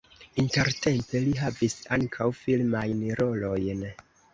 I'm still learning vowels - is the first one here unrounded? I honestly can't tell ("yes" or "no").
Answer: yes